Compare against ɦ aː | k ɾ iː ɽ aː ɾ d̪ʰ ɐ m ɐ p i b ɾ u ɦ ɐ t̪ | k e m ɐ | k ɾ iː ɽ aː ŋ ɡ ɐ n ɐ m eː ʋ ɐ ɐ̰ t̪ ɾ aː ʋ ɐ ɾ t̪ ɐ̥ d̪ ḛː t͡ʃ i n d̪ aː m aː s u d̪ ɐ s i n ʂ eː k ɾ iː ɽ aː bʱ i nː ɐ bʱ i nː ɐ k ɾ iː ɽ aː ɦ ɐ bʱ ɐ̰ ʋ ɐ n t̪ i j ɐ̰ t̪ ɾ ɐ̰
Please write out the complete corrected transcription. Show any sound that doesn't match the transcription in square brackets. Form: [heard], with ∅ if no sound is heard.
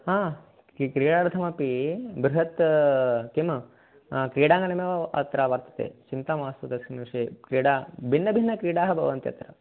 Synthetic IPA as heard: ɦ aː | k ɾ iː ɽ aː ɾ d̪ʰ ɐ m ɐ p i b ɾ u ɦ ɐ t̪ | k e m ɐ | k ɾ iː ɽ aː ŋ ɡ ɐ n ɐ m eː ʋ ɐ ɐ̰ t̪ ɾ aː ʋ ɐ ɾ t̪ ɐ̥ [t̪] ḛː t͡ʃ i n [t̪] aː m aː s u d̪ ɐ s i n ʂ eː k ɾ iː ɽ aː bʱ i nː ɐ bʱ i nː ɐ k ɾ iː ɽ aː ɦ ɐ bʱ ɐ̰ ʋ ɐ n t̪ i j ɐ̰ t̪ ɾ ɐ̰